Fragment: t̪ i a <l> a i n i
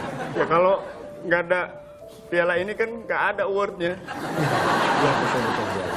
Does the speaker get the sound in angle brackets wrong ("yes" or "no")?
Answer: no